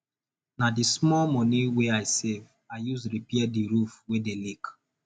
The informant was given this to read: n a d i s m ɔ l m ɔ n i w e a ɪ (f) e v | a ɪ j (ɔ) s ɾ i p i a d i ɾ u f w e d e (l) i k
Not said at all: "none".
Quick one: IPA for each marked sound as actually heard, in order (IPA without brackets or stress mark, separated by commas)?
s, u, l